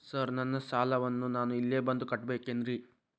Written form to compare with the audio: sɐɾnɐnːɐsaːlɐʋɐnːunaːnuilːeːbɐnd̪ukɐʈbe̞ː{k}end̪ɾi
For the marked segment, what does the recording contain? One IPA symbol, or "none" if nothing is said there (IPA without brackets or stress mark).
k